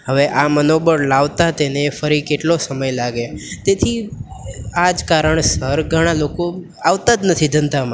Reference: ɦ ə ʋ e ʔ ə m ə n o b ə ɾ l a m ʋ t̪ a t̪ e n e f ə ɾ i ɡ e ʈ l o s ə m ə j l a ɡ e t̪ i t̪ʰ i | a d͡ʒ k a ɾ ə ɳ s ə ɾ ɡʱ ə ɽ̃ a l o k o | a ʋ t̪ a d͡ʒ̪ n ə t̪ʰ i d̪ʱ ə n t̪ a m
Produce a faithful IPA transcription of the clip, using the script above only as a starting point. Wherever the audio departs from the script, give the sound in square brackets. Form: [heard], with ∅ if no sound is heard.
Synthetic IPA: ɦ ə ʋ e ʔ [a] m ə n o b ə ɾ l a [∅] ʋ t̪ a t̪ e n e f ə ɾ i [k] e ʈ l o s ə m ə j l a ɡ e t̪ [e] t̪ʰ i | a d͡ʒ k a ɾ ə ɳ s ə ɾ ɡʱ ə ɽ̃ a l o k o | a ʋ t̪ a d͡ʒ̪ n ə t̪ʰ i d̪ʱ ə n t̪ a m